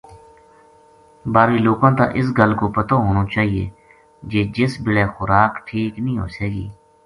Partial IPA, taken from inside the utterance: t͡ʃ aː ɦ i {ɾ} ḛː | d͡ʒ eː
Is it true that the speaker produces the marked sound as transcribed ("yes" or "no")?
no